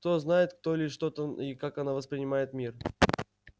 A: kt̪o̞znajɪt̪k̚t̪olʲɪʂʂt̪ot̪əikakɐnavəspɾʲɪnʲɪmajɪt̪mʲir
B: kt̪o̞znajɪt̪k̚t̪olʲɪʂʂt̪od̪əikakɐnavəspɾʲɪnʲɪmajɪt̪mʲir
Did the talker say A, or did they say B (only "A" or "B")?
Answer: A